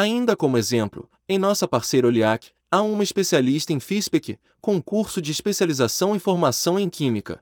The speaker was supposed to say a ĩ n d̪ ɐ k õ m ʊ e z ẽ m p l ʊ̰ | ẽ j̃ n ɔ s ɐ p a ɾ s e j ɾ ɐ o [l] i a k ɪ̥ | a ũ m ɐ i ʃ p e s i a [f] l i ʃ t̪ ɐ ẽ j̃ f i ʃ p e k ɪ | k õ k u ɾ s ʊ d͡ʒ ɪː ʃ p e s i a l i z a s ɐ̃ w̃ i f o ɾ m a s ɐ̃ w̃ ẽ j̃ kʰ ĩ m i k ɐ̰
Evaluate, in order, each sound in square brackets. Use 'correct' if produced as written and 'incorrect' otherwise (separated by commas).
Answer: correct, incorrect